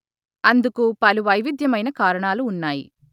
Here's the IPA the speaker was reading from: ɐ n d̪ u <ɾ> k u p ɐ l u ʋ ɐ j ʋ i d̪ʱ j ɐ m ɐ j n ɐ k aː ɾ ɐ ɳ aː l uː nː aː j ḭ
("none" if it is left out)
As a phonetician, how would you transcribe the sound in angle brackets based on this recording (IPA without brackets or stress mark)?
none